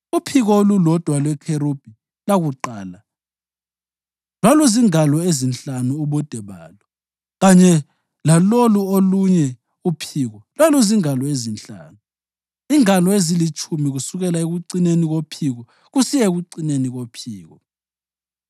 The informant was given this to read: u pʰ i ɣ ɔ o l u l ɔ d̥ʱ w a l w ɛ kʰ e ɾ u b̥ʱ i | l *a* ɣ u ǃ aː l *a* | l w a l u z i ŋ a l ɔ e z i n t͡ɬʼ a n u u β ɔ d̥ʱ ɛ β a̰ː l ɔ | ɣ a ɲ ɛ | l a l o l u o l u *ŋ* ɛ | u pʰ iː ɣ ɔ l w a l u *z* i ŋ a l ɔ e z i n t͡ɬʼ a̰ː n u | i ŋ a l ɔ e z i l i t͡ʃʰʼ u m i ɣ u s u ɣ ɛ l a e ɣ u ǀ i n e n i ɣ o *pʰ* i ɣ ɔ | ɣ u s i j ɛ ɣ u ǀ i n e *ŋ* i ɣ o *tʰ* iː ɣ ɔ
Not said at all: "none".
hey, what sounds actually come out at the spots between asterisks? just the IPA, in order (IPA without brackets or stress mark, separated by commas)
a, a, ɲ, z, pʰ, n, pʰ